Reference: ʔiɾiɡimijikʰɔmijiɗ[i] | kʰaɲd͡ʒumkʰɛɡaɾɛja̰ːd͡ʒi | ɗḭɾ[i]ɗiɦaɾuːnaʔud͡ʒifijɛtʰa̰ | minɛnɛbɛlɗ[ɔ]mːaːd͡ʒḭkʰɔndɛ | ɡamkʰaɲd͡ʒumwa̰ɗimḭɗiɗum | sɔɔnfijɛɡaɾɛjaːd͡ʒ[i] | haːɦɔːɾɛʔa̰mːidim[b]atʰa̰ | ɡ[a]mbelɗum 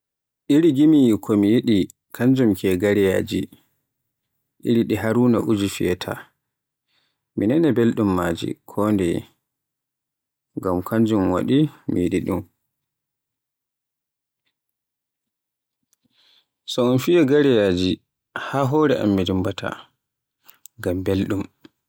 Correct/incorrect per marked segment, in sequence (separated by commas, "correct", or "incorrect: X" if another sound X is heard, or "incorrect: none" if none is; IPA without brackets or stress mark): correct, correct, incorrect: u, correct, correct, correct